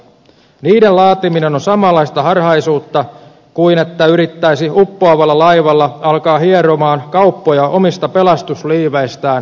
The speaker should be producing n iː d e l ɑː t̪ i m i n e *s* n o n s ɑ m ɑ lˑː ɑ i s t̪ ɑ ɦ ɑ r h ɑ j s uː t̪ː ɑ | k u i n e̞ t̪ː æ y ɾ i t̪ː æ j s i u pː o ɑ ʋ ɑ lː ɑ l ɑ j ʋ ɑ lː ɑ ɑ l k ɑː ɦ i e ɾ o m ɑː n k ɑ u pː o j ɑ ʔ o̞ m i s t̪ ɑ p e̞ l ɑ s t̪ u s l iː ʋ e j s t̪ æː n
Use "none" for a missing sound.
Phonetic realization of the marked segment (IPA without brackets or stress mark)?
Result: none